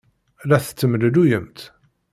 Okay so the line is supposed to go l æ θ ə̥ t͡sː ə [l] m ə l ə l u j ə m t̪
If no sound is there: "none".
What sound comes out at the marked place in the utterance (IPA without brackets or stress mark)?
none